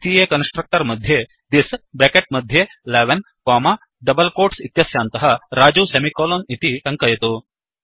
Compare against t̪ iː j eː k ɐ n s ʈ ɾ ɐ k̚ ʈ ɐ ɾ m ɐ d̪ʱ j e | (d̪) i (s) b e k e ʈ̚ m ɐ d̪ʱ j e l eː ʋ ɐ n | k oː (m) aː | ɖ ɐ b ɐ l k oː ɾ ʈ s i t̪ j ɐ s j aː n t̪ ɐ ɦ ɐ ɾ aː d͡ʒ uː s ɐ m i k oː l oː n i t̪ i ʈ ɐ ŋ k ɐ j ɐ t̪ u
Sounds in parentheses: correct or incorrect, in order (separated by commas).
correct, correct, correct